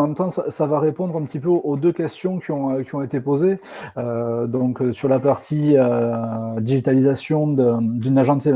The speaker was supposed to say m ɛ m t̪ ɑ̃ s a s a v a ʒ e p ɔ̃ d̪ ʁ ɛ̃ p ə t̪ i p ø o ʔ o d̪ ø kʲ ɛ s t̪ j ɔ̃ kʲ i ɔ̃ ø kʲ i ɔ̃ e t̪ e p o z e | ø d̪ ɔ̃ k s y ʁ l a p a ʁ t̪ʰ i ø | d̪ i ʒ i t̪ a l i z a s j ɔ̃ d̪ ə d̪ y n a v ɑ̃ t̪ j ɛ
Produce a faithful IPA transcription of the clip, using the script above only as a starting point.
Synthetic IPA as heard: m ɛ m t̪ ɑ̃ s a s a v a ʁ e p ɔ̃ d̪ ʁ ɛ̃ p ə t̪ i p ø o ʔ o d̪ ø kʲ ɛ s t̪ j ɔ̃ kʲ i ɔ̃ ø kʲ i ɔ̃ e t̪ e p o z e | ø d̪ ɔ̃ k s y ʁ l a p a ʁ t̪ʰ i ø | d̪ i ʒ i t̪ a l i z a s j ɔ̃ d̪ ə d̪ y n a ʒ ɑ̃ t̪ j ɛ